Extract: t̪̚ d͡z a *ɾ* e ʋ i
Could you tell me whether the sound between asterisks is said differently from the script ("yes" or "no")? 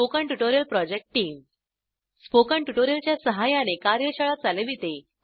yes